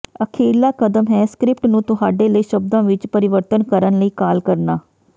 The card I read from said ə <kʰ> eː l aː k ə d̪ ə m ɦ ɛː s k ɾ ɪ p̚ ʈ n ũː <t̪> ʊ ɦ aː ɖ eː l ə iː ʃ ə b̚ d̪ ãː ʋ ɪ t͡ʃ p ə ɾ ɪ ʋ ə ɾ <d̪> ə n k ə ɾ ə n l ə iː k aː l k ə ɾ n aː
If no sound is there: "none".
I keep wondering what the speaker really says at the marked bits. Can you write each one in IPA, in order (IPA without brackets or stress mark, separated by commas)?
kʰ, t̪, t̪